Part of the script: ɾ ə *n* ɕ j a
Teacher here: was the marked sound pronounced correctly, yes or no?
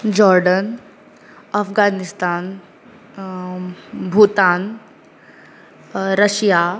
no